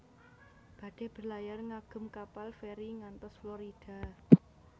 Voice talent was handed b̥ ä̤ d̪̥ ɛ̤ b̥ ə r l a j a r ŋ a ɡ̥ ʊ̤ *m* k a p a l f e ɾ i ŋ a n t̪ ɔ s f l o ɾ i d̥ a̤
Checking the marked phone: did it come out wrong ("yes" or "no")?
no